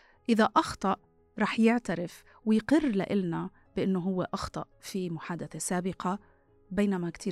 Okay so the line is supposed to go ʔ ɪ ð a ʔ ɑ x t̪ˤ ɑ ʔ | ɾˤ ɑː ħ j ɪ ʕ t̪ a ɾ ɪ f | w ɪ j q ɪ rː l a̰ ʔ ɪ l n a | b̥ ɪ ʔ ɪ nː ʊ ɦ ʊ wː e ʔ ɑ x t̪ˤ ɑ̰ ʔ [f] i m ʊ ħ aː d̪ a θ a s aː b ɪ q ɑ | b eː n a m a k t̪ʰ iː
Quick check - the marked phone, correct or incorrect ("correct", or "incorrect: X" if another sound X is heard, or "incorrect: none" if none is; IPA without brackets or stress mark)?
correct